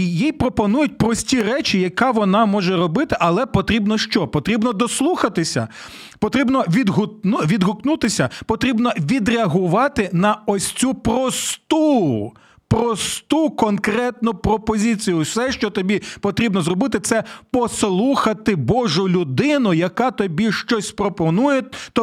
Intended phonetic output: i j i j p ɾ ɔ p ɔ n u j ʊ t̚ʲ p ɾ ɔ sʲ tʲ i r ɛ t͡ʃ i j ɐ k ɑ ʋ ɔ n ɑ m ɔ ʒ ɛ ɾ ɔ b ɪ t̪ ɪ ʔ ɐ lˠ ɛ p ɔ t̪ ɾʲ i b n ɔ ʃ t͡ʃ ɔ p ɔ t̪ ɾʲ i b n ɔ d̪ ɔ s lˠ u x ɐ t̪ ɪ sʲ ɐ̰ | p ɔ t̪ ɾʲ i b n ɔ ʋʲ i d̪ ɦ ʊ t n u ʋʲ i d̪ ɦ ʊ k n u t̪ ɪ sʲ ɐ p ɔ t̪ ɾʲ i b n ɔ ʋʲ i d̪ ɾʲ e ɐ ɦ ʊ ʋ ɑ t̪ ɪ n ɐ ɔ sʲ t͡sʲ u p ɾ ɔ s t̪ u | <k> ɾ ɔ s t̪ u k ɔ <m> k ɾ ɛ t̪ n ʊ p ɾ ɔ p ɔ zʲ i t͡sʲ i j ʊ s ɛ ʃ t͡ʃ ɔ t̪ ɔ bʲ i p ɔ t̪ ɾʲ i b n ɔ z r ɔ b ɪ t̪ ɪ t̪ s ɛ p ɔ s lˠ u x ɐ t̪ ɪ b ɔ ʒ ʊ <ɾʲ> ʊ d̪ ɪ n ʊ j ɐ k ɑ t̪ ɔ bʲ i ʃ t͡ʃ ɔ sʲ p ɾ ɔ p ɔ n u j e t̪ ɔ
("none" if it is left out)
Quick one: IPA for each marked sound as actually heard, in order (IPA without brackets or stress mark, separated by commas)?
p, n, lʲ